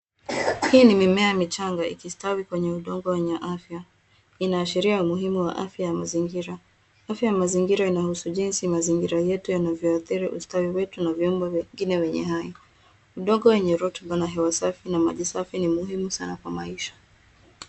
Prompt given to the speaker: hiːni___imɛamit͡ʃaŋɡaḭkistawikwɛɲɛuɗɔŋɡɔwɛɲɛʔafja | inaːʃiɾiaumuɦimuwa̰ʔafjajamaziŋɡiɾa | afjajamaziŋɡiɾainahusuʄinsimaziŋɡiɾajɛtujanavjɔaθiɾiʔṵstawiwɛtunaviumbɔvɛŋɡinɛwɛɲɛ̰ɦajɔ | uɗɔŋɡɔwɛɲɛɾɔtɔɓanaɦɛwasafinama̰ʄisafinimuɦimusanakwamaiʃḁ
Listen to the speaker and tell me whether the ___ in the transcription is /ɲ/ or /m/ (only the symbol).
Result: m